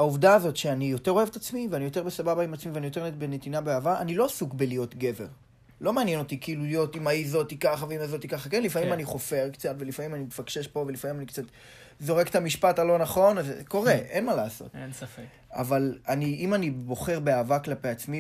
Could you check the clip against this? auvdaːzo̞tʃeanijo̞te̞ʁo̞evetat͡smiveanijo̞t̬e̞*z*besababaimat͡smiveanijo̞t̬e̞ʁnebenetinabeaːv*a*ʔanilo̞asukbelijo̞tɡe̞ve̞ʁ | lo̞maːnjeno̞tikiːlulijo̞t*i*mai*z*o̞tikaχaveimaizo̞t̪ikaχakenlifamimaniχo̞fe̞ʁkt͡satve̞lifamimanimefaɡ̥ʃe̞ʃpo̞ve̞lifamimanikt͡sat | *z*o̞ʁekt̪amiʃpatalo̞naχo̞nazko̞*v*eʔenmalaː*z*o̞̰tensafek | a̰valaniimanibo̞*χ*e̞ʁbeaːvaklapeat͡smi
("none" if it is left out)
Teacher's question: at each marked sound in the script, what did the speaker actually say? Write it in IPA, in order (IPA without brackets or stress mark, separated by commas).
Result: ʁ, a, i, z, z, ʁ, s, χ